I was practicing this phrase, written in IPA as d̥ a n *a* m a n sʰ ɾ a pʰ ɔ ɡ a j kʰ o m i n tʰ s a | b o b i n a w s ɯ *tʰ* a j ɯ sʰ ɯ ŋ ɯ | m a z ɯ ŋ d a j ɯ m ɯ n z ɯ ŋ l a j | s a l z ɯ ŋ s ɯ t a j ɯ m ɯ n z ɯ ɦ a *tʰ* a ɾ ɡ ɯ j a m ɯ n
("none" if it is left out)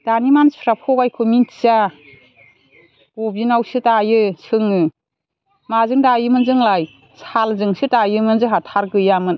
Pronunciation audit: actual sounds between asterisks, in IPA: i, t, tʰ

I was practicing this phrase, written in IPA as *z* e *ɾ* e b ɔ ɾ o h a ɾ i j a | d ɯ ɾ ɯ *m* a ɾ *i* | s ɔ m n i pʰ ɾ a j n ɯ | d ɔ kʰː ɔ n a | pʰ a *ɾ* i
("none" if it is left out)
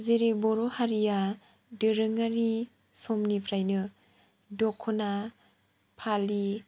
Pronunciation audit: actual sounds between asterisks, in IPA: z, ɾ, ŋ, i, l

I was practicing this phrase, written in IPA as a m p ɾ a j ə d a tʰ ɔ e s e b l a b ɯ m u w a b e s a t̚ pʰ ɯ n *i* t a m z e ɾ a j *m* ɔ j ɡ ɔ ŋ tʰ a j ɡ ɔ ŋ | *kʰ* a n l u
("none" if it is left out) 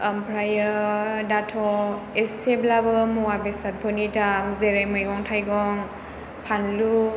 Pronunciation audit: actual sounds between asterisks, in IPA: i, m, pʰ

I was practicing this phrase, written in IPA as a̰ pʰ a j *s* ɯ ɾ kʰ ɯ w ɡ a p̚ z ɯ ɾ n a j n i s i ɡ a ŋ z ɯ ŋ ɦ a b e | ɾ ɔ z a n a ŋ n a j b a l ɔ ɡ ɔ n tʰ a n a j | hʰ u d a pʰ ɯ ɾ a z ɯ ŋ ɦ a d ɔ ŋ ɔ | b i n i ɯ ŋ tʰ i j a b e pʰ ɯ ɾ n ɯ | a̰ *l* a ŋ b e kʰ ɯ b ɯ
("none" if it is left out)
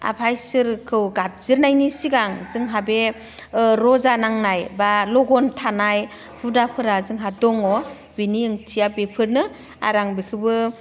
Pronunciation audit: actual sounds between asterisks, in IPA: s, ɾ

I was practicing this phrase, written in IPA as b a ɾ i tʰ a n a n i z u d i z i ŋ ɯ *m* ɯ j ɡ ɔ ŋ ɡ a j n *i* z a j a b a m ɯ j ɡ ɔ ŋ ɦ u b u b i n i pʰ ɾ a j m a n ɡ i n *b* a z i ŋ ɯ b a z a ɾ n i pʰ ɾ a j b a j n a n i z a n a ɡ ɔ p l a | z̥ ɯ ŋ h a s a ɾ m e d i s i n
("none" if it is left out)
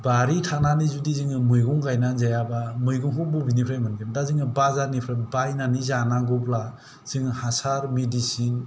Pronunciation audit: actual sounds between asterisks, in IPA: m, a, d

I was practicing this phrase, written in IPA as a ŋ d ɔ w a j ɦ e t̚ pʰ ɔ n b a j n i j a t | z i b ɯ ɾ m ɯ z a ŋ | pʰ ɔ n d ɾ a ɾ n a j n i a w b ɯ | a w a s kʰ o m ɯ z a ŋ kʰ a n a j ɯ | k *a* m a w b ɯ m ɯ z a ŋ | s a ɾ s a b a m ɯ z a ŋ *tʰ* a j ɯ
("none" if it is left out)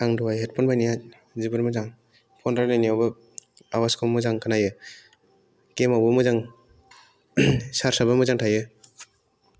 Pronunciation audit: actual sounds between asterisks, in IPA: e, tʰ

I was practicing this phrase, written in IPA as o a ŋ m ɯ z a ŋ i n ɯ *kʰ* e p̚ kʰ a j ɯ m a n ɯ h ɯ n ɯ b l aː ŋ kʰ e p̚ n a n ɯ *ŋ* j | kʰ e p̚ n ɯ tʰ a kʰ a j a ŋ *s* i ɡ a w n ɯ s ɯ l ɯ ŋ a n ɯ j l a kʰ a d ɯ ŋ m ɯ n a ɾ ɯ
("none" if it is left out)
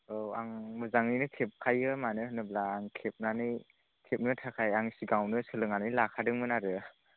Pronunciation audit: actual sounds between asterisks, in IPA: kʰ, none, s

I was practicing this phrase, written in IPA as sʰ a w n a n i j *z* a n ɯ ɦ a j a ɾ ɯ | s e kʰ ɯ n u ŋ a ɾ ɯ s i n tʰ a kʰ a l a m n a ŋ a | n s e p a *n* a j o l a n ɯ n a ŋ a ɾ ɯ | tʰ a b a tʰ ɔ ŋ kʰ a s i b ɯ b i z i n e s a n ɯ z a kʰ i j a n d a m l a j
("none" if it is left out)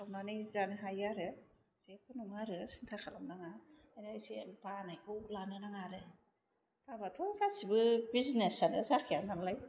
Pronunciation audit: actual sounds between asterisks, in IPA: z, n

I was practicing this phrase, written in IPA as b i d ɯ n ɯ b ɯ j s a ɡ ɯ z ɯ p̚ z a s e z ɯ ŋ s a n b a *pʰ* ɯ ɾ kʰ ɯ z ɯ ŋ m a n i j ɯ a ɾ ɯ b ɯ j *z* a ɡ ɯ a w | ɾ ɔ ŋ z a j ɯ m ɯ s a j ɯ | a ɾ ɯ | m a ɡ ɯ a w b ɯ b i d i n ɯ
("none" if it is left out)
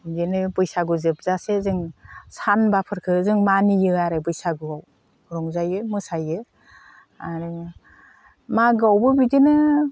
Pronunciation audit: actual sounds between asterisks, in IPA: pʰ, s

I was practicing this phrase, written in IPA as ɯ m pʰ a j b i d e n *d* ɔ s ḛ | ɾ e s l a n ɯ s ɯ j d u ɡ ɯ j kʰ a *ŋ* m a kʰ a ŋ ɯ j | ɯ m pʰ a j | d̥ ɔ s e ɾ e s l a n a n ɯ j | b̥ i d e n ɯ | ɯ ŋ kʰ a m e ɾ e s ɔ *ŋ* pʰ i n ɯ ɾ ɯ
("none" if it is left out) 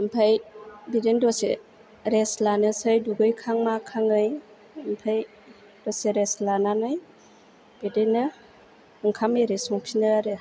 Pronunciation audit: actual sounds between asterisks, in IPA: d, ŋ, ŋ

